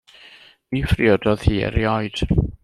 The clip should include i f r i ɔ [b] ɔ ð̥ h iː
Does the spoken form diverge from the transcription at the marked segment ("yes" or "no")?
yes